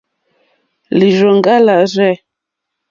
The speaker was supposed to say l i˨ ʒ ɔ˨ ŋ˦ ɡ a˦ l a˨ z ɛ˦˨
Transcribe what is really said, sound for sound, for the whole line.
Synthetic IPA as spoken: l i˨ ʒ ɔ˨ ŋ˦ ɡ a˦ l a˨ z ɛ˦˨